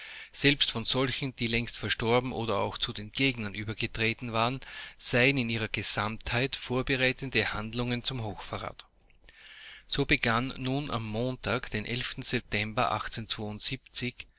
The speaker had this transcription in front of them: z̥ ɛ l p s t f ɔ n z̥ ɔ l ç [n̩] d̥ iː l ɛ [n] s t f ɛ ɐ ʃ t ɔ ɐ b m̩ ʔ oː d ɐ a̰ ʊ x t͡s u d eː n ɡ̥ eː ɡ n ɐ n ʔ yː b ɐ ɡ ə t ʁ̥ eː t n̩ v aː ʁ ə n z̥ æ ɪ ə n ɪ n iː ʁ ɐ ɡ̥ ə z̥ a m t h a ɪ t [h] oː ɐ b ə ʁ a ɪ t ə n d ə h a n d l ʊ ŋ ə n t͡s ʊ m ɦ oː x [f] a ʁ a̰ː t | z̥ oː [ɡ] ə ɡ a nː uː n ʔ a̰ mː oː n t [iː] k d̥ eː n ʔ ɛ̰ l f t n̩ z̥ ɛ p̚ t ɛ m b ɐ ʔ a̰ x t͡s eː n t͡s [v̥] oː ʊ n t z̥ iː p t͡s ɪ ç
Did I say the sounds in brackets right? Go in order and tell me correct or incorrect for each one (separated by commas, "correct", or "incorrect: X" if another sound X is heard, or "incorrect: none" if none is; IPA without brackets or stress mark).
correct, incorrect: ŋ, incorrect: f, correct, incorrect: b, incorrect: aː, correct